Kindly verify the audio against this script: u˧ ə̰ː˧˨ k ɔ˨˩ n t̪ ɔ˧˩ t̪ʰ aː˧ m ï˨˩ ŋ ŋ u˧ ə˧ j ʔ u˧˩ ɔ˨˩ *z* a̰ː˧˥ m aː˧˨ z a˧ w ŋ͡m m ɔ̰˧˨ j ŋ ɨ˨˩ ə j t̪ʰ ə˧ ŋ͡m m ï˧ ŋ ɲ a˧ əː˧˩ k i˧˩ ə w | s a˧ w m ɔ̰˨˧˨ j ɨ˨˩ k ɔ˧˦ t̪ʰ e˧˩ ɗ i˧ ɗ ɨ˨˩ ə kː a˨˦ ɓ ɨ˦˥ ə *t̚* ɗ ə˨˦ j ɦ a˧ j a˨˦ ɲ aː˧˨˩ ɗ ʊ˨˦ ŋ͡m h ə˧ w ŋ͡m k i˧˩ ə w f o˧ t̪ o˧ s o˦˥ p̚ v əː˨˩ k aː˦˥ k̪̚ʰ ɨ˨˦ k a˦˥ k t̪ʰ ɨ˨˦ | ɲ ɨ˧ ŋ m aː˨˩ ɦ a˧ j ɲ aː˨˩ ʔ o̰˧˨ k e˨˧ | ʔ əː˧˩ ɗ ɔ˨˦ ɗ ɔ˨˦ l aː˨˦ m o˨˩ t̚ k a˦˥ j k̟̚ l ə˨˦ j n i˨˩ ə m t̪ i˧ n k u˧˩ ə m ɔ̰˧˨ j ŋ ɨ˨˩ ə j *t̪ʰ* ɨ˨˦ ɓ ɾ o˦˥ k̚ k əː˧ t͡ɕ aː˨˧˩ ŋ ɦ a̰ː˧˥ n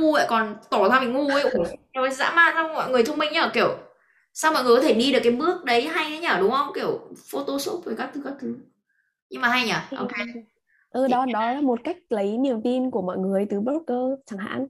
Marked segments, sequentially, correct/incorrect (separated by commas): correct, incorrect, incorrect